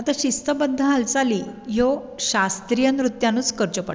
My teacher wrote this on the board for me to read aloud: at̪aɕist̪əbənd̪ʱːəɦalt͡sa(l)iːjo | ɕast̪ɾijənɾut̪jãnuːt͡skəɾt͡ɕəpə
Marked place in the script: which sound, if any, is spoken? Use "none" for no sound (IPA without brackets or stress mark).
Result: l